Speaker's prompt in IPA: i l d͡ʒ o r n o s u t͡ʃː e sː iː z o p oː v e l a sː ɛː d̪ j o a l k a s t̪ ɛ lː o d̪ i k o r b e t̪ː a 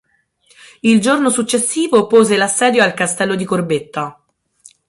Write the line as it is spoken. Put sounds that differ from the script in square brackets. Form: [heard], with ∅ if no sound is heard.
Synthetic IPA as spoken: i l d͡ʒ o r n o s u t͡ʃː e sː iː [v] o p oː [z] e l a sː ɛː d̪ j o a l k a s t̪ ɛ lː o d̪ i k o r b e t̪ː a